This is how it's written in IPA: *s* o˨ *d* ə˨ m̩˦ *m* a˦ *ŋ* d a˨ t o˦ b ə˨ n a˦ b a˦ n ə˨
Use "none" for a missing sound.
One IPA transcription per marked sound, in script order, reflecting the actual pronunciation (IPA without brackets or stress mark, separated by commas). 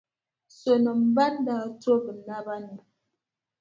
s, n, b, n